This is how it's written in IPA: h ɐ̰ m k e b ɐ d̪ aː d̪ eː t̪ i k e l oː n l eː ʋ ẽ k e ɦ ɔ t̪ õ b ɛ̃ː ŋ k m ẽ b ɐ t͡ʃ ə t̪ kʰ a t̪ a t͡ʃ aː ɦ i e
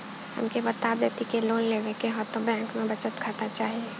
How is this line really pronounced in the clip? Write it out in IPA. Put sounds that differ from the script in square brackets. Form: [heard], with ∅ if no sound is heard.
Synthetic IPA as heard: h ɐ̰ m k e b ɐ [t̪] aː d̪ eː t̪ i k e l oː n l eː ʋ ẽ k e ɦ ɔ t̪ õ b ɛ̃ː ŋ k m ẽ b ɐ t͡ʃ ə t̪ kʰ a t̪ a t͡ʃ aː ɦ i e